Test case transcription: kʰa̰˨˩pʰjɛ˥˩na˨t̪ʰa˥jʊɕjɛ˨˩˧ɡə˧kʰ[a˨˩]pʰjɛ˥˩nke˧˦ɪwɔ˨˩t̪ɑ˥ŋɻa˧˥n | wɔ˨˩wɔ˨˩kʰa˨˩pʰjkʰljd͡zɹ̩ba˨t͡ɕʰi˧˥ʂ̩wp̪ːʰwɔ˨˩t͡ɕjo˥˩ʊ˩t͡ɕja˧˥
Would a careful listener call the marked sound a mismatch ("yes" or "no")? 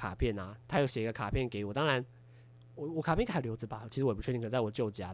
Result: no